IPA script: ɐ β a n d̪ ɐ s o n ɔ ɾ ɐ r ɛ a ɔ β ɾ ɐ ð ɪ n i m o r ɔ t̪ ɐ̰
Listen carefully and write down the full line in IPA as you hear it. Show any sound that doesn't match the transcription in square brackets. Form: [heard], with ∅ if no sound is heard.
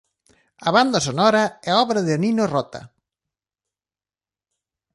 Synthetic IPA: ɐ β a n d̪ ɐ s o n ɔ ɾ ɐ [∅] ɛ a ɔ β ɾ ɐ ð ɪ n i [n] o r ɔ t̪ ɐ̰